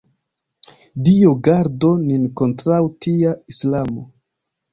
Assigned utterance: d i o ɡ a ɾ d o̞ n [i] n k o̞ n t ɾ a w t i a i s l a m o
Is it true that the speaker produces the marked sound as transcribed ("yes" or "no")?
yes